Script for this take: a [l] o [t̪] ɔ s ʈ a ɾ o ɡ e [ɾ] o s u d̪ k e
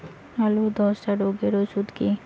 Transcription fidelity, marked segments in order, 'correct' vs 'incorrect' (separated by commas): correct, incorrect, correct